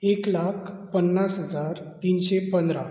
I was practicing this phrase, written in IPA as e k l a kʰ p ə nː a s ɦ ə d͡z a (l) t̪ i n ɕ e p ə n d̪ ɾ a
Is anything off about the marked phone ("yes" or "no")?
yes